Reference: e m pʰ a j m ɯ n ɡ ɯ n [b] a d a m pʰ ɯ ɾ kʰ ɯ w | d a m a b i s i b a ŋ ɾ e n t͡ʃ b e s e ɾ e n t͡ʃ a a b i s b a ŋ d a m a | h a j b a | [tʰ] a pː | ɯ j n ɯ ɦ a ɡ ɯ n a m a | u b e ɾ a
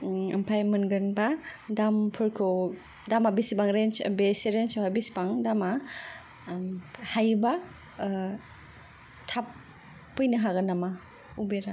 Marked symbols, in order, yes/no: yes, yes

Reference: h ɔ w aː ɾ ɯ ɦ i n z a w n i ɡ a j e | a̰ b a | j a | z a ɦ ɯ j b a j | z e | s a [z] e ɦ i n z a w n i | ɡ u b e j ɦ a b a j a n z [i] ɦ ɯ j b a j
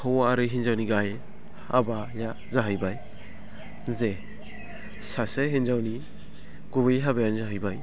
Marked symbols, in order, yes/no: no, no

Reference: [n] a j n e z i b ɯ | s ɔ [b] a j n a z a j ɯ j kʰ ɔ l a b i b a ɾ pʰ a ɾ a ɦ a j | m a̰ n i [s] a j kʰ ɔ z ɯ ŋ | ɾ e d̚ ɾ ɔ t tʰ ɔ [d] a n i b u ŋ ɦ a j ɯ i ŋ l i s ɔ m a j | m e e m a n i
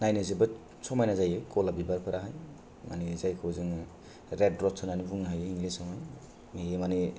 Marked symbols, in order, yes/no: yes, no, no, no

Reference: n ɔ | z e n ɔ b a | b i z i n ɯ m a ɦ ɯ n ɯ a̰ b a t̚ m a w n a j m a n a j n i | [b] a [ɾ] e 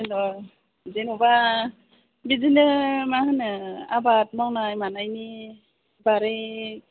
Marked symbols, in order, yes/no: yes, yes

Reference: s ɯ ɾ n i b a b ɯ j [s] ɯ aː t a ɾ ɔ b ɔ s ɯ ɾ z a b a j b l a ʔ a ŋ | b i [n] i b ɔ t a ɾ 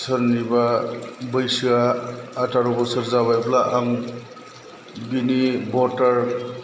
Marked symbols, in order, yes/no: yes, yes

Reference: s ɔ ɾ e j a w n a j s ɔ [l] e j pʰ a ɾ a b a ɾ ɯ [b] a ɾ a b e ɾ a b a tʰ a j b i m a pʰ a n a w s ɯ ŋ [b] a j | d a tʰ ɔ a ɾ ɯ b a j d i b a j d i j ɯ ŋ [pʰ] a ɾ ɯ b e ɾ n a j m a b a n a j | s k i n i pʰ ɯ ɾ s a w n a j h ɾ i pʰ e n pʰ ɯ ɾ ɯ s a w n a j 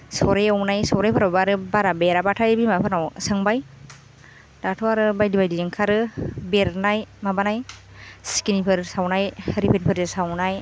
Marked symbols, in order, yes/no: no, yes, yes, no

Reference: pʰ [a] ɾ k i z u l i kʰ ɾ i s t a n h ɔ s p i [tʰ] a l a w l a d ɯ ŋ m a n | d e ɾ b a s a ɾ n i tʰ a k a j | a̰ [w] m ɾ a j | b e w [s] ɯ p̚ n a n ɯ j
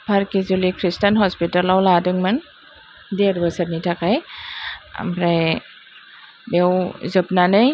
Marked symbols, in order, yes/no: yes, no, no, no

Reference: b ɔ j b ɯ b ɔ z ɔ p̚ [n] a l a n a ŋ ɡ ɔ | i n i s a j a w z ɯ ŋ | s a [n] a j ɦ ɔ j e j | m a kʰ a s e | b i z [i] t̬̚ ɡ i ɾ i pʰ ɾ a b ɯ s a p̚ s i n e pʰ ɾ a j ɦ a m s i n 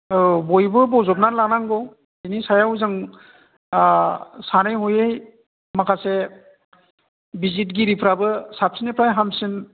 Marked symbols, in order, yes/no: yes, yes, yes

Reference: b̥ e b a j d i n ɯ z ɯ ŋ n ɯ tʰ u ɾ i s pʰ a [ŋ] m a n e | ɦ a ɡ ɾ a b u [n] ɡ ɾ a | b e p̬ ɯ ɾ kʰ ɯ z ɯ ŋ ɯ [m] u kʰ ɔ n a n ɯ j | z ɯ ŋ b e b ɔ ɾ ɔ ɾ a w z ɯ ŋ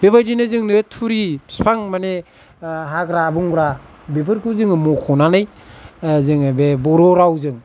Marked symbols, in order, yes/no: yes, no, yes

